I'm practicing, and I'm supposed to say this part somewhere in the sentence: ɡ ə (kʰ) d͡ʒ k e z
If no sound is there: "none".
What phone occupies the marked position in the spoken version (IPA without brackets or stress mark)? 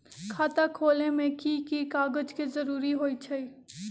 none